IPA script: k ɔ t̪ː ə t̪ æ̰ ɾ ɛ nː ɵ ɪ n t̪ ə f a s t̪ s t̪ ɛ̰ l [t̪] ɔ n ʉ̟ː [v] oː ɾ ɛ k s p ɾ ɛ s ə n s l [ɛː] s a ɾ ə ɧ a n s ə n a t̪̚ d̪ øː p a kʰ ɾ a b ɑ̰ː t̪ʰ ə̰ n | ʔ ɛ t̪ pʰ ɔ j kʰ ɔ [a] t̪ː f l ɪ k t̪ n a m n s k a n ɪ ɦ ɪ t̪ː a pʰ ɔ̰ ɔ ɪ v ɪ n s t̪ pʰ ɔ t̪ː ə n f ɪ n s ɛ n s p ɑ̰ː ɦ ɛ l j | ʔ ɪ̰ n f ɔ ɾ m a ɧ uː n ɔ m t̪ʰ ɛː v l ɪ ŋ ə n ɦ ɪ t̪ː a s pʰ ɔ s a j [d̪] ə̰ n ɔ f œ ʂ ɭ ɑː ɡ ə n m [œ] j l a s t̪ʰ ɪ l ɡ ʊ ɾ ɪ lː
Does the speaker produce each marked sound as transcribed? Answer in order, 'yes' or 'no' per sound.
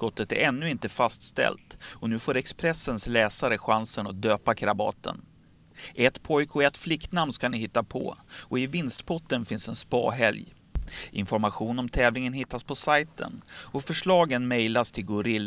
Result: yes, no, yes, no, no, no

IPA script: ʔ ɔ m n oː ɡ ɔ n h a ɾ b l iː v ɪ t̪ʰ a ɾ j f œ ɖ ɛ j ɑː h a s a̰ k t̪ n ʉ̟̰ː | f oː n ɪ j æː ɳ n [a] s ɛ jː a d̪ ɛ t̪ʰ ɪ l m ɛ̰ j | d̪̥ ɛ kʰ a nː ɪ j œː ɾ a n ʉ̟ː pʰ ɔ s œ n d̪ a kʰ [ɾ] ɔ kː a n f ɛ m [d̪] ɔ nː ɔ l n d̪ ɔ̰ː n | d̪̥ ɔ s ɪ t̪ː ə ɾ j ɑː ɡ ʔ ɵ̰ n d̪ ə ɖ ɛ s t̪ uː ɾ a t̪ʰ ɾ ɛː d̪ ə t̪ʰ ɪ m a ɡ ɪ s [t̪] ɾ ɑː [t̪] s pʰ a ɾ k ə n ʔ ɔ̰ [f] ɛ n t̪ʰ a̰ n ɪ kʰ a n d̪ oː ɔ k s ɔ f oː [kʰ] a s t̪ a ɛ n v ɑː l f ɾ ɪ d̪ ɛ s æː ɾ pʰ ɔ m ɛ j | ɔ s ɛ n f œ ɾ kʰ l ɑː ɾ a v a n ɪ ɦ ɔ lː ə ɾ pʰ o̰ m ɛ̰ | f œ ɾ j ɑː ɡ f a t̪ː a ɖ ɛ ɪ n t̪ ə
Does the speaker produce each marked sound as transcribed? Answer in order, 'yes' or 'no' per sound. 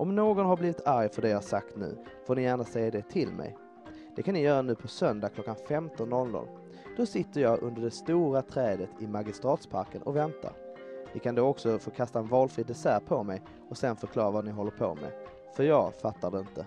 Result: yes, no, no, yes, yes, no, yes

